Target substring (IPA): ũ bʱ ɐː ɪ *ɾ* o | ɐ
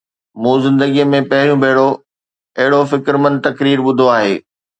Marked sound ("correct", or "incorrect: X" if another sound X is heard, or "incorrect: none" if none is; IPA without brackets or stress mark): incorrect: ɽ